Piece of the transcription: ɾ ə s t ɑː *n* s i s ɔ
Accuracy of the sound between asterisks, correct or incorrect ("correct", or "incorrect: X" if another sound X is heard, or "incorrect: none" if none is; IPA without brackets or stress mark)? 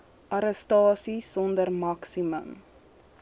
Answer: incorrect: none